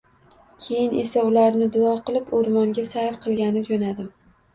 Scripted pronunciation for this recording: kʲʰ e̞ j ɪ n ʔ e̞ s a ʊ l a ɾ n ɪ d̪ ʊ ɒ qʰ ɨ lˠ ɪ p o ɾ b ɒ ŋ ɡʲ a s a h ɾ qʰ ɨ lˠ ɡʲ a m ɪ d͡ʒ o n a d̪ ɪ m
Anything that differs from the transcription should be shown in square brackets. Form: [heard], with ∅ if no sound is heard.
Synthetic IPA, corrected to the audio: kʲʰ e̞ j ɪ n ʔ e̞ s a ʊ l a ɾ n ɪ d̪ ʊ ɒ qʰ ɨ lˠ ɪ p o ɾ [m] ɒ ŋ ɡʲ a s a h ɾ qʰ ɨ lˠ ɡʲ a [n] ɪ d͡ʒ o n a d̪ ɪ m

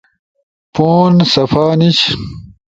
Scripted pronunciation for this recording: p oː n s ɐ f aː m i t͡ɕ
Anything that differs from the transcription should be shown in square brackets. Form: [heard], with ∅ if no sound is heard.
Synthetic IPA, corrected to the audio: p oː n s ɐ f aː [n] i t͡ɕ

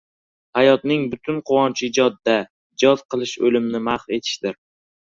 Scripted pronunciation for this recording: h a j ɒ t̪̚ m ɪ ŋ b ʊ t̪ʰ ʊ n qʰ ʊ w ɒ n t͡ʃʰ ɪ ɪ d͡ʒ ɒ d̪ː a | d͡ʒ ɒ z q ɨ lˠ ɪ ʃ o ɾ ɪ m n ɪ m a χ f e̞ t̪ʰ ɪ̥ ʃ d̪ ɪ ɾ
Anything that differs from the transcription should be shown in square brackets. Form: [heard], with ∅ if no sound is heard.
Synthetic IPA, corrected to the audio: h a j ɒ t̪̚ [n] ɪ ŋ b ʊ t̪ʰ ʊ n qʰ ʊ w ɒ n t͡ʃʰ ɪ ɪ d͡ʒ ɒ d̪ː a | d͡ʒ ɒ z q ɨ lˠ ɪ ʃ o [l] ɪ m n ɪ m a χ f e̞ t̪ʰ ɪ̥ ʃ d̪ ɪ ɾ

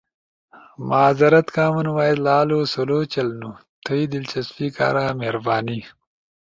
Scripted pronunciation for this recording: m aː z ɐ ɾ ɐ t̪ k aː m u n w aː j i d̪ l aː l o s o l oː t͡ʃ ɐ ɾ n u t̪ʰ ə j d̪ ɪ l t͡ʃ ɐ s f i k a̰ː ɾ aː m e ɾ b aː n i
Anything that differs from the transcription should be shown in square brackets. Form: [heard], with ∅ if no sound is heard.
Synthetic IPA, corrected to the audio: m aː z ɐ ɾ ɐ t̪ k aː m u n w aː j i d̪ l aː l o s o l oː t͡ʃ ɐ [l] n u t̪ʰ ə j d̪ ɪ l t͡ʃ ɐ s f i k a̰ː ɾ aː m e ɾ b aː n i

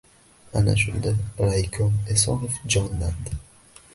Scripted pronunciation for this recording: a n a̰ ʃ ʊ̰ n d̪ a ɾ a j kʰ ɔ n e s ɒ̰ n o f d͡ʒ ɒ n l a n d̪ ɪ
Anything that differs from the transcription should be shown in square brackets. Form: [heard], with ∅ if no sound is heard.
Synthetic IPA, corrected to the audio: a n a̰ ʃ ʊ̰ n d̪ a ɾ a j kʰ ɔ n e s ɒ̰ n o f d͡ʒ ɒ n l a n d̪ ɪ

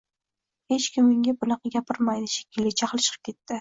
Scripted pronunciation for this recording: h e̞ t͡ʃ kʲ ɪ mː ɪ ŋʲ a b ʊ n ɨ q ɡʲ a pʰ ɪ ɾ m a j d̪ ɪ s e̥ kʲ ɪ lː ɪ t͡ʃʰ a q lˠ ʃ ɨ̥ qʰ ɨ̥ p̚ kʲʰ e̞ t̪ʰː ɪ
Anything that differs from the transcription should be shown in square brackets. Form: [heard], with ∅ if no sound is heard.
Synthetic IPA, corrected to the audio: h e̞ t͡ʃ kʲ ɪ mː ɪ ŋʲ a b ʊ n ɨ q ɡʲ a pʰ ɪ ɾ m a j d̪ ɪ [ʃ] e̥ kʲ ɪ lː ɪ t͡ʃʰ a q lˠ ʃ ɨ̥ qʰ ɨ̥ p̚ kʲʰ e̞ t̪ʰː ɪ

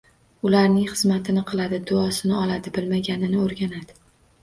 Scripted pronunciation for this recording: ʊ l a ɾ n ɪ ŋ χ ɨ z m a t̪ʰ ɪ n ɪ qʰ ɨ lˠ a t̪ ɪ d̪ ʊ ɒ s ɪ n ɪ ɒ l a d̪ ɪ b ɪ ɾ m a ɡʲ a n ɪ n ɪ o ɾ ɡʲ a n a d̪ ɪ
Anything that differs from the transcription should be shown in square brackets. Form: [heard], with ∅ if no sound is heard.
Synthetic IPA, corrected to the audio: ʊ l a ɾ n ɪ ŋ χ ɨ z m a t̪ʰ ɪ n ɪ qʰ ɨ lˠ a [d̪] ɪ d̪ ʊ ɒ s ɪ n ɪ ɒ l a d̪ ɪ b ɪ [l] m a ɡʲ a n ɪ n ɪ o ɾ ɡʲ a n a d̪ ɪ

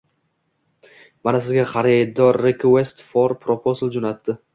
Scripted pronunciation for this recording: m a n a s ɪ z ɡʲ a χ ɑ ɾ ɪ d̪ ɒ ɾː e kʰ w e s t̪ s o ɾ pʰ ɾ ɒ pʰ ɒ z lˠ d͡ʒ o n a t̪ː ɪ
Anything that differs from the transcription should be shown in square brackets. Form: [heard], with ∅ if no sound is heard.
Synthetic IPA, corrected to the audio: m a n a s ɪ z ɡʲ a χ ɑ ɾ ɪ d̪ ɒ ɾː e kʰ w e s t̪ [f] o ɾ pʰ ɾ [o] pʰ [o] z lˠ d͡ʒ o n a t̪ː ɪ

